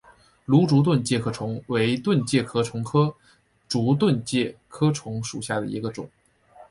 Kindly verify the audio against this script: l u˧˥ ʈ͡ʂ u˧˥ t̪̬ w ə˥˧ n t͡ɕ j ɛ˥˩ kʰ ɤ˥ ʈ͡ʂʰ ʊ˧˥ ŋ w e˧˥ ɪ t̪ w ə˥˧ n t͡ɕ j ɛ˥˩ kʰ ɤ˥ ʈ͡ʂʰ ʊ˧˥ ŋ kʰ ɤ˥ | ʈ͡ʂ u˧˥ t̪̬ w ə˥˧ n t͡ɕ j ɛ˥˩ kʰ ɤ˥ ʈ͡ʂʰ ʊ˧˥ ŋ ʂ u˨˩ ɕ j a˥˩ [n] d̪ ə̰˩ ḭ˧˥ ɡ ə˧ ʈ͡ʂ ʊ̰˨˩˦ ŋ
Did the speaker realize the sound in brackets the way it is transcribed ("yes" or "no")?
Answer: no